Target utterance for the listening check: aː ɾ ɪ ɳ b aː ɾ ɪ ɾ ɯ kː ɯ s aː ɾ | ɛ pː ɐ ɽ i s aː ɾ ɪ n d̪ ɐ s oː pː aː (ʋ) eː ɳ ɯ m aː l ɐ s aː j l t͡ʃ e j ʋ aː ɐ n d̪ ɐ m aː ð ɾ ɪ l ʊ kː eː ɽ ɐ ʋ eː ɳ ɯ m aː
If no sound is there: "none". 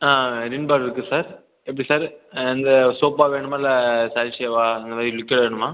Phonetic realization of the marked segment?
ʋ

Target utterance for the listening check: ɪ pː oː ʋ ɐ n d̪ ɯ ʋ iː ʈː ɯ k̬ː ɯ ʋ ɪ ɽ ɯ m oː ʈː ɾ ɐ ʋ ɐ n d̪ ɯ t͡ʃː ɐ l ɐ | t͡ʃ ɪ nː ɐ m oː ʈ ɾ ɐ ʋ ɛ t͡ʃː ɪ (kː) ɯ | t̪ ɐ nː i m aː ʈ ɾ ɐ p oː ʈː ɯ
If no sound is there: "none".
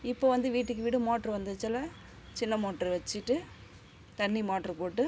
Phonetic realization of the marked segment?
ʈː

